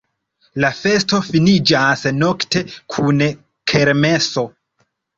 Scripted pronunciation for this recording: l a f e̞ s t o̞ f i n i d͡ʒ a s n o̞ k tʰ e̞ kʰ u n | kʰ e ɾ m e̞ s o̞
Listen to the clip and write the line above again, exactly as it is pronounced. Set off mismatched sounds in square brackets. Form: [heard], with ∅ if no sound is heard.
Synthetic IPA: l a f e̞ s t o̞ f i n i d͡ʒ a s n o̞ k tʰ e̞ kʰ u n | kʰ e ɾ m e̞ s o̞